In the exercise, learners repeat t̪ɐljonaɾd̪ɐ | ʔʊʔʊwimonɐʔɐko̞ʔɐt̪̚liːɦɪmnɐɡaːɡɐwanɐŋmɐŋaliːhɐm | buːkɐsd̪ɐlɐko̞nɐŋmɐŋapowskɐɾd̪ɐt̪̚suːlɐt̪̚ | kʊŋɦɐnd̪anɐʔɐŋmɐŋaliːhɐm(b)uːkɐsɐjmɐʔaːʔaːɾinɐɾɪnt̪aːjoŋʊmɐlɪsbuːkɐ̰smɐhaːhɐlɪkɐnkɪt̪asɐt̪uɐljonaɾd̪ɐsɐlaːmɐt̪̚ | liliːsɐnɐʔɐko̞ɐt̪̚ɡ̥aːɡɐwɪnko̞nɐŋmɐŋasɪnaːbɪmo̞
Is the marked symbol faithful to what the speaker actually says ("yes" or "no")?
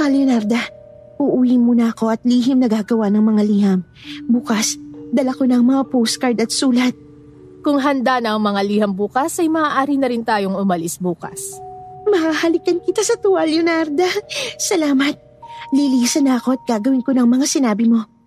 yes